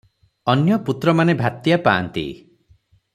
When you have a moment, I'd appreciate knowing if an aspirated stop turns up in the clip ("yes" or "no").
no